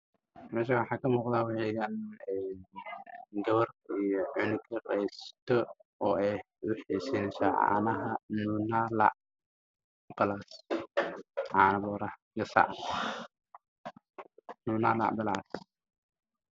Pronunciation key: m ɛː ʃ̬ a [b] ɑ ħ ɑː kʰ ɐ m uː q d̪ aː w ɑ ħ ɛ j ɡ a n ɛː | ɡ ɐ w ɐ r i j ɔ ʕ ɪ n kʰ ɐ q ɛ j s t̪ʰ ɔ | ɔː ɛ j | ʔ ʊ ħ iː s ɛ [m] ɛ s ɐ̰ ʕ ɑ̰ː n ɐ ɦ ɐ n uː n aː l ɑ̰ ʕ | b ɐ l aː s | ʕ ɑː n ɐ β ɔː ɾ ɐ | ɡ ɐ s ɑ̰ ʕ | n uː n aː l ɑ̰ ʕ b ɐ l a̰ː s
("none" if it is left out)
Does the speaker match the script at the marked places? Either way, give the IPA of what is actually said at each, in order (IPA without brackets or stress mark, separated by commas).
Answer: w, n